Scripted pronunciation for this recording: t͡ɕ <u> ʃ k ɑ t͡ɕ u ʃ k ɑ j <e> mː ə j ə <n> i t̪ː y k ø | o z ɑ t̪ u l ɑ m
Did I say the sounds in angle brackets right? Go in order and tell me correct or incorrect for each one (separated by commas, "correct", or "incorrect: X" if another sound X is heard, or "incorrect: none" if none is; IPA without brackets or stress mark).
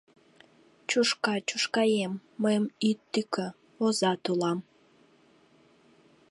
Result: correct, correct, incorrect: m